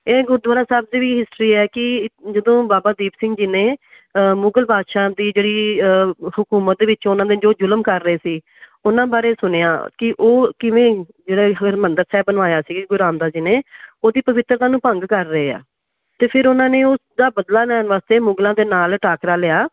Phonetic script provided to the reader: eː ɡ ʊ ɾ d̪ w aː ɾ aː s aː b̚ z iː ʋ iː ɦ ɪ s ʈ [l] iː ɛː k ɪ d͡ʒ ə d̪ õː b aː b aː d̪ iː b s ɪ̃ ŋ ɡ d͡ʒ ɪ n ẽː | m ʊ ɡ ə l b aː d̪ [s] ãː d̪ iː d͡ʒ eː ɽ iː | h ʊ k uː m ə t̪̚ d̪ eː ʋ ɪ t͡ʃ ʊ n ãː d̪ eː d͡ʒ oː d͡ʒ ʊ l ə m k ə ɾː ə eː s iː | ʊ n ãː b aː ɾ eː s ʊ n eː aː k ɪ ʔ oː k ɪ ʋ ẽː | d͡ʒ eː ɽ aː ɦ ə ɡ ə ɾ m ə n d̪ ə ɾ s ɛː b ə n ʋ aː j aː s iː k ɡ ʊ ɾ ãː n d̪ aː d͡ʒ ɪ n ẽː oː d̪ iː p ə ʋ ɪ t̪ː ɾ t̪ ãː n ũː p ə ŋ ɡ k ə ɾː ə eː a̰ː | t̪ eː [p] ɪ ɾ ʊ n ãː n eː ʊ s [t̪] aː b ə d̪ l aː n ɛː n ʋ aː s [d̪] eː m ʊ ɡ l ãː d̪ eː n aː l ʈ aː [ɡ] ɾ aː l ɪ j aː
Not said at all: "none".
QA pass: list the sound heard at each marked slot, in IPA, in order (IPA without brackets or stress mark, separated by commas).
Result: ɾ, ʃ, pʰ, d̪, t̪, k